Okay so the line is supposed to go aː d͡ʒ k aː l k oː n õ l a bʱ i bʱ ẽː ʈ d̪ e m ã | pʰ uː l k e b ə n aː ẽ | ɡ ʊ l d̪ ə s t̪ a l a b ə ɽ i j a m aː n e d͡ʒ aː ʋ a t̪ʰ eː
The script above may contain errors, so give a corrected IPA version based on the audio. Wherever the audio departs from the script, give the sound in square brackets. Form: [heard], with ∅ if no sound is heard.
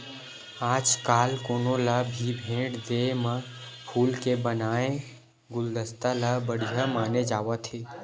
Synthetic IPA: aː d͡ʒ k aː l k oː n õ l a bʱ i bʱ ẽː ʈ d̪ e m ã | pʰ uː l k e b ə n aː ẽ | ɡ ʊ l d̪ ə s t̪ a l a b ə ɽ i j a m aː n e d͡ʒ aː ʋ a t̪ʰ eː